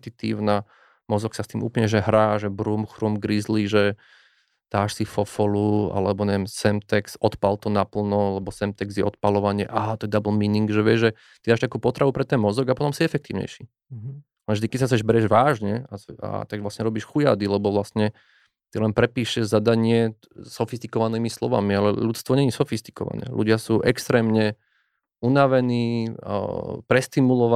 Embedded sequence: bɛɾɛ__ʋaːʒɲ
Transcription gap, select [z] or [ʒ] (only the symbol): ʒ